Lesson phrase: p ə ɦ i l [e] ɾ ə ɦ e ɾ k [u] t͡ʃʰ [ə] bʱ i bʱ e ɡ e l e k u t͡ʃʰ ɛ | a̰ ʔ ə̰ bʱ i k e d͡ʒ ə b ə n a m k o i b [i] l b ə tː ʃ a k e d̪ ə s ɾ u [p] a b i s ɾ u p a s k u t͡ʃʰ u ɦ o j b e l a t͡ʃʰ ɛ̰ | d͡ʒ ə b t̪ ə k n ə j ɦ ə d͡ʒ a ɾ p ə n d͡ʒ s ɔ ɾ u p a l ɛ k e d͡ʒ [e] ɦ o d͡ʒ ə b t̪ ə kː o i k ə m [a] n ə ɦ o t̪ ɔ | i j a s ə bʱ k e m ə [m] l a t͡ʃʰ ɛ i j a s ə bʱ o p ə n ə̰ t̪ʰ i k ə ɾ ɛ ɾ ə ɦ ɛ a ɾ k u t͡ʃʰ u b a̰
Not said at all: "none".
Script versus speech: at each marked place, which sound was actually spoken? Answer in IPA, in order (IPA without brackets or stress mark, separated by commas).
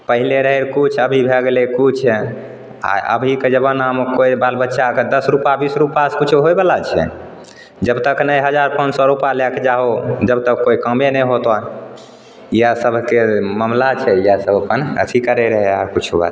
e, u, ə, a, p, a, e, m